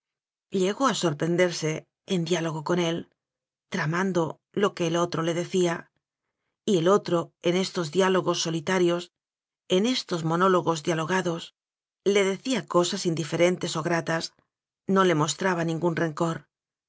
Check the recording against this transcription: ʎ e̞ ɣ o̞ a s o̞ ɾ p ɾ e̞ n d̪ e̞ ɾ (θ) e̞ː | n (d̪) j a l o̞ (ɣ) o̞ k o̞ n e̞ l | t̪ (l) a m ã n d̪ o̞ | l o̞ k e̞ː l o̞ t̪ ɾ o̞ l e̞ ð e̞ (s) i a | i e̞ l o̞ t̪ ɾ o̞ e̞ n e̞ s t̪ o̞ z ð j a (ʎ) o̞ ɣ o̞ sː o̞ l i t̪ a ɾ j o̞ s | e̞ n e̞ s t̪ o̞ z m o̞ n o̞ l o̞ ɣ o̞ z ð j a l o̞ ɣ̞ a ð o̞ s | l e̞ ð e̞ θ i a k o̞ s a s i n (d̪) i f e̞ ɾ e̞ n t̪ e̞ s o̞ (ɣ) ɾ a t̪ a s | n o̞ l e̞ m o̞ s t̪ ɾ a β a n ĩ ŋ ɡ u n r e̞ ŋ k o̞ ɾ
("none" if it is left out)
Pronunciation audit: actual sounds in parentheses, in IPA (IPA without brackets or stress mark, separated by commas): s, d̪, ɣ, ɾ, θ, l, d̪, ɣ